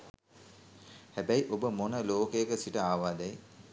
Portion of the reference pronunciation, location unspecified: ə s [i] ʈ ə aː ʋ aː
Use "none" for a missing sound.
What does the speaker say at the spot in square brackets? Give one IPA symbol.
i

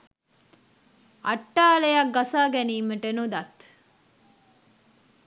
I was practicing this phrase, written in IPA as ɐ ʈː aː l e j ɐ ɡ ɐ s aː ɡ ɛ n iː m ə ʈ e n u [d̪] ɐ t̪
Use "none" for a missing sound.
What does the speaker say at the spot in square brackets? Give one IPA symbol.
d̪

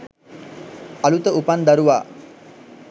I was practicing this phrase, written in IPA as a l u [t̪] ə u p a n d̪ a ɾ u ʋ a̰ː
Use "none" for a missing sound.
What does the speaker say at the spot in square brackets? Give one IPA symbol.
t̪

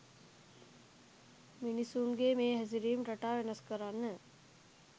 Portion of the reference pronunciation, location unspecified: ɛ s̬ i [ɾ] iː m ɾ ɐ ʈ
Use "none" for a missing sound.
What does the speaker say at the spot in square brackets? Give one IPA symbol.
ɾ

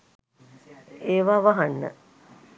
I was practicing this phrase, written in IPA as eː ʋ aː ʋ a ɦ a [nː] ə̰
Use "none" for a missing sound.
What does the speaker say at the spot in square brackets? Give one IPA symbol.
nː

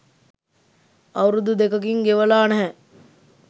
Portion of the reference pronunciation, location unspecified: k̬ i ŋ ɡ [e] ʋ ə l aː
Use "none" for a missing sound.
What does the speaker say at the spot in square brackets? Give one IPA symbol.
e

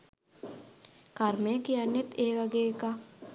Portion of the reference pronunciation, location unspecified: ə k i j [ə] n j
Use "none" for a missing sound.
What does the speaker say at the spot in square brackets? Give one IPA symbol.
a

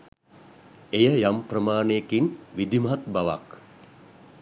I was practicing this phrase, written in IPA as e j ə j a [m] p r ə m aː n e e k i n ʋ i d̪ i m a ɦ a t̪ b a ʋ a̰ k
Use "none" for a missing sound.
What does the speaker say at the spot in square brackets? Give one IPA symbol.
m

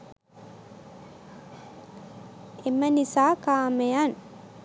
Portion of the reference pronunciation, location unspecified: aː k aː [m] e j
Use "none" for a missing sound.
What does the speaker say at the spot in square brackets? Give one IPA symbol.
m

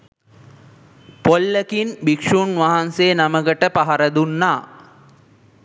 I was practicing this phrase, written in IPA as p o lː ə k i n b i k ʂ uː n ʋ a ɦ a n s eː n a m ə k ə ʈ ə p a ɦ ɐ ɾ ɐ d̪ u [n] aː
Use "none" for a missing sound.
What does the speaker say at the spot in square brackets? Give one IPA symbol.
nː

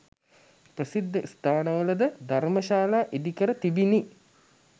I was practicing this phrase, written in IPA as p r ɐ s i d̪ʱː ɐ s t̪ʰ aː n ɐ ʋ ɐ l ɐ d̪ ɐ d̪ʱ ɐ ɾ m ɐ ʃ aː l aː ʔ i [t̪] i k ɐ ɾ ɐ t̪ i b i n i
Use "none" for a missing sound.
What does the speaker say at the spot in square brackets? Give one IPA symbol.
d̪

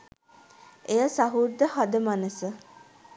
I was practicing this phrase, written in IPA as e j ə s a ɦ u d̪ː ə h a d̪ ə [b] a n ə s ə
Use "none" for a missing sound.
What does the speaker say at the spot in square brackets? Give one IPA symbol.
m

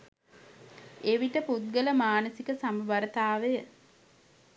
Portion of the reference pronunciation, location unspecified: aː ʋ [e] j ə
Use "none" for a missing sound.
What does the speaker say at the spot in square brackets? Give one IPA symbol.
e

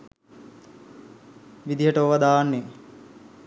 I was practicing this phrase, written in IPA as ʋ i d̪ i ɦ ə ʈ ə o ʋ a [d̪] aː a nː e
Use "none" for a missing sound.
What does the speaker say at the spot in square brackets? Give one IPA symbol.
d̪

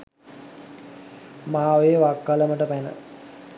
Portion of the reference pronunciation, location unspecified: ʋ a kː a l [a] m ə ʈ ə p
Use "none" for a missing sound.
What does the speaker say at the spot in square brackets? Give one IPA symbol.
ə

